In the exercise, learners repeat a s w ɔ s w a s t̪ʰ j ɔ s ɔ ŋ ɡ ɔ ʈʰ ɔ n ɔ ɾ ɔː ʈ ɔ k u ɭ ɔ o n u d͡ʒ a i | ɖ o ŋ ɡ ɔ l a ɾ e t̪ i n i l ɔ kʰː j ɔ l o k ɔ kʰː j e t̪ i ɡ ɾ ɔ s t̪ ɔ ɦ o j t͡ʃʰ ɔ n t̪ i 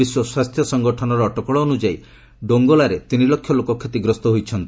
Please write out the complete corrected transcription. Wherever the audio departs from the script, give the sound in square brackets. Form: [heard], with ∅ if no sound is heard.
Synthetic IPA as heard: [i] s w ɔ s w a s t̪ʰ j ɔ s ɔ ŋ ɡ ɔ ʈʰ ɔ n ɔ ɾ ɔː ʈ ɔ k [ɔ] ɭ ɔ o n u d͡ʒ a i | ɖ o ŋ ɡ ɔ l a ɾ e t̪ i n i l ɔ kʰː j ɔ l o k ɔ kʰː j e t̪ i ɡ ɾ ɔ s t̪ ɔ ɦ o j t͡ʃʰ ɔ n t̪ i